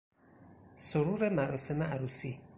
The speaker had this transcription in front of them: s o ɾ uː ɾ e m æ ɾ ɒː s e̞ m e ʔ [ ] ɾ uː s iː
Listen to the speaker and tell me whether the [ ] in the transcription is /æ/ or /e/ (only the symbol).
æ